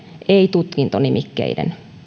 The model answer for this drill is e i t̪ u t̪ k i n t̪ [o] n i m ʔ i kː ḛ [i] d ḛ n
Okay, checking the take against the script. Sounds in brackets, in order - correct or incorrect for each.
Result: correct, correct

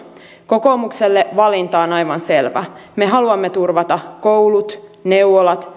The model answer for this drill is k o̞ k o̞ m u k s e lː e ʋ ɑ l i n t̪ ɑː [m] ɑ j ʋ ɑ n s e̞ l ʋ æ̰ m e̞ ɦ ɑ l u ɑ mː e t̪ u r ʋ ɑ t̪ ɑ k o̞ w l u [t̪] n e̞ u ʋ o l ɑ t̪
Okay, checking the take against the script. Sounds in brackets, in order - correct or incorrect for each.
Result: incorrect: n, correct

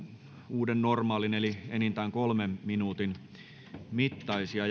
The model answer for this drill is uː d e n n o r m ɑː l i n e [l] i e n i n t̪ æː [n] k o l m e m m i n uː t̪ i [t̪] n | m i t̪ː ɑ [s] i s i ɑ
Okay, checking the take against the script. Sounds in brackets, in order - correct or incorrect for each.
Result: correct, incorrect: ŋ, incorrect: none, incorrect: none

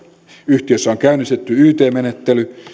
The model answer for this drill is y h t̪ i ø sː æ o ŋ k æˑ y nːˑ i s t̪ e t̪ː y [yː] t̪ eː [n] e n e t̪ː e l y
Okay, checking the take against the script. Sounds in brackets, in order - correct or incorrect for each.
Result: correct, incorrect: m

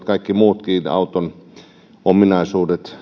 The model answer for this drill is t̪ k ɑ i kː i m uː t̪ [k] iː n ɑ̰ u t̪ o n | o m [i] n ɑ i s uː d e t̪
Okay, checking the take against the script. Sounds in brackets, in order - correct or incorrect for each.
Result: correct, correct

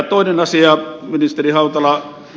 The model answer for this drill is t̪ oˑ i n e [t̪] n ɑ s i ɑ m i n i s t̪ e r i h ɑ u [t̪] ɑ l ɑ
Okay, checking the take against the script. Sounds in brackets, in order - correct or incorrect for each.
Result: incorrect: none, correct

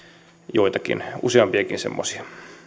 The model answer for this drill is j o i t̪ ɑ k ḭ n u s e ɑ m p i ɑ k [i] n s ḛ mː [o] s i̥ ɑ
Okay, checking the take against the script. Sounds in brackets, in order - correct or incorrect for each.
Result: correct, correct

